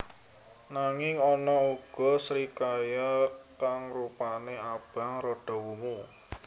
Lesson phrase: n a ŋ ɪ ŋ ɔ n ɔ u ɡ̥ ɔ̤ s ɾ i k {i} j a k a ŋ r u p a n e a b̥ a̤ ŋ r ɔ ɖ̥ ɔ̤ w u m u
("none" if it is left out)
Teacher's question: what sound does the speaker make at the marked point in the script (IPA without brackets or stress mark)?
a